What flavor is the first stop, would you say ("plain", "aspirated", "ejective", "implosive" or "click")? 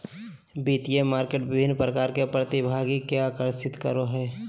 plain